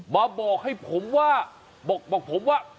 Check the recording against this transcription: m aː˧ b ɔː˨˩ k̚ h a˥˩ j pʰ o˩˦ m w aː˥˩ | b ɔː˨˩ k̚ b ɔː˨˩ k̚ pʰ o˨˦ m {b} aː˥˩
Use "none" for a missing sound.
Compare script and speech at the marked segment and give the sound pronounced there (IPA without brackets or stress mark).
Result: w